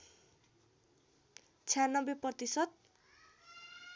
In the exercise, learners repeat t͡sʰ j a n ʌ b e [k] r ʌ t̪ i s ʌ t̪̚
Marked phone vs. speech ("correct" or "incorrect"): incorrect